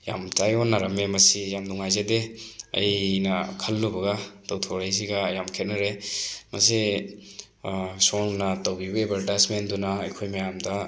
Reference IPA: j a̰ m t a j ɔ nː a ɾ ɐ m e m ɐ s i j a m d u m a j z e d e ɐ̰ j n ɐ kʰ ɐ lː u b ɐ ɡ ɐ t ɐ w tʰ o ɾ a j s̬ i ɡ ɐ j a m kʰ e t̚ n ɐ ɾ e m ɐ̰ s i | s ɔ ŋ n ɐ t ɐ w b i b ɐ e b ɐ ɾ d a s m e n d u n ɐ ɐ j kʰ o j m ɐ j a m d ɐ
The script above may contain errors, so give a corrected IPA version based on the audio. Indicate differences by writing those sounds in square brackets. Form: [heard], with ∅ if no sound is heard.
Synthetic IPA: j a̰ m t a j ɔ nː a ɾ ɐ m e m ɐ s i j a m d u [ŋ] a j z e d e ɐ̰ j n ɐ kʰ ɐ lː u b ɐ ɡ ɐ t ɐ w tʰ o ɾ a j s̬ i ɡ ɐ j a m kʰ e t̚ n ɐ ɾ e m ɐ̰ s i | s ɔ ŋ n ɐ t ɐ w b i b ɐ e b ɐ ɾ d a s m e n d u n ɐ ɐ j kʰ o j m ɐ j a m d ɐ